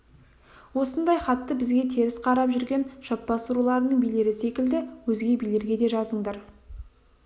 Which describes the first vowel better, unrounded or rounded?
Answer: rounded